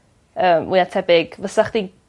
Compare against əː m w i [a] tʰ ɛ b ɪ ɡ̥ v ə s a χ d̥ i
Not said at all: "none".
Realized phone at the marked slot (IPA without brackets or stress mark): a